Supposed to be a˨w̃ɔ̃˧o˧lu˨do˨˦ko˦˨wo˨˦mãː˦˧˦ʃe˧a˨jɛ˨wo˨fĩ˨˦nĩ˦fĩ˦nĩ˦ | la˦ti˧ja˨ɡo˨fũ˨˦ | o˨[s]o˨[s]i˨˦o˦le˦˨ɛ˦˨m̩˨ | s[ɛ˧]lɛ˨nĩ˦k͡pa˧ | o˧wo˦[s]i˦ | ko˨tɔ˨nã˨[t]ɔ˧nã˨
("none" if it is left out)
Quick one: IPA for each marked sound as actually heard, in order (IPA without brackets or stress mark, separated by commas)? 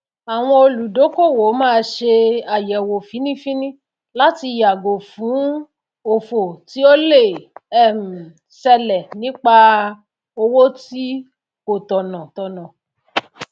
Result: f, t, ɛ˧, t, t